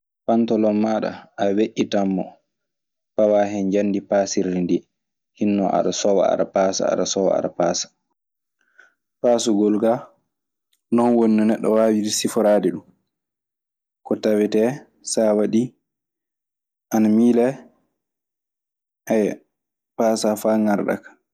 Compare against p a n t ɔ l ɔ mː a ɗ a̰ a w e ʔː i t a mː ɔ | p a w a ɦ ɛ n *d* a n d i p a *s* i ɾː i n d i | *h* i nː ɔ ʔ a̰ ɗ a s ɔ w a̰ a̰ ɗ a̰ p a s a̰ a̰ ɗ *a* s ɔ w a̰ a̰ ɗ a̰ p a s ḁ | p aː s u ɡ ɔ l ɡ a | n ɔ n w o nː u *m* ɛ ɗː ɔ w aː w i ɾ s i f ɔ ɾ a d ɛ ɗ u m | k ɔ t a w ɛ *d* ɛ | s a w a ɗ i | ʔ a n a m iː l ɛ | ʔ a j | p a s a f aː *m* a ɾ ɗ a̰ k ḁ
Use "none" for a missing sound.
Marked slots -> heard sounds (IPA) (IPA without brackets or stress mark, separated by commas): d͡ʒ, s, h, a, n, t, ŋ